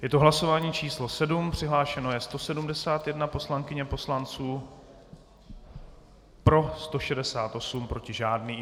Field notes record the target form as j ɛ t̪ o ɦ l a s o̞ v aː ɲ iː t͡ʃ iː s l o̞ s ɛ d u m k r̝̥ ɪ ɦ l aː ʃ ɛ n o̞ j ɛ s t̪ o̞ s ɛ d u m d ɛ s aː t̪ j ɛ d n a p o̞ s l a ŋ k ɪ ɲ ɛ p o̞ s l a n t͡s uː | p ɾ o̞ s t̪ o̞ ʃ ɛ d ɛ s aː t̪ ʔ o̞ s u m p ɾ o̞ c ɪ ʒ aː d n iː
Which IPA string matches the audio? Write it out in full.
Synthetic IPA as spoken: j ɛ t̪ o ɦ l a s o̞ v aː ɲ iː t͡ʃ iː s l o̞ s ɛ d u m p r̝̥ ɪ ɦ l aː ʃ ɛ n o̞ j ɛ s t̪ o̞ s ɛ d u m d ɛ s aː t̪ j ɛ d n a p o̞ s l a ŋ k ɪ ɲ ɛ p o̞ s l a n t͡s uː | p ɾ o̞ s t̪ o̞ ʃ ɛ d ɛ s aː t̪ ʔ o̞ s u m p ɾ o̞ c ɪ ʒ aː d n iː